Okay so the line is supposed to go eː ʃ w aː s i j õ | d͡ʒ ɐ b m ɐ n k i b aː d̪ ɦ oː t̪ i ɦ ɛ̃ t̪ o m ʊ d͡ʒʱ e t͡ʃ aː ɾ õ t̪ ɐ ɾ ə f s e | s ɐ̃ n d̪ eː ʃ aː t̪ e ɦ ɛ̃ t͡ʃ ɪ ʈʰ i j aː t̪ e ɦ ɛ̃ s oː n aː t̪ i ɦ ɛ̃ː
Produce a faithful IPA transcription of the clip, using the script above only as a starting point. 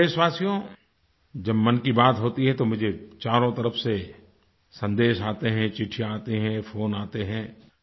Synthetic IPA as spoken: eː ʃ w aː s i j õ | d͡ʒ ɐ b m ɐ n k i b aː t̪ ɦ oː t̪ i ɦ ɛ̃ t̪ o m ʊ d͡ʒʱ e t͡ʃ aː ɾ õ t̪ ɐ ɾ ə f s e | s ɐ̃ n d̪ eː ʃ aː t̪ e ɦ ɛ̃ t͡ʃ ɪ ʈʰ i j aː t̪ e ɦ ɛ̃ f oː n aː t̪ e ɦ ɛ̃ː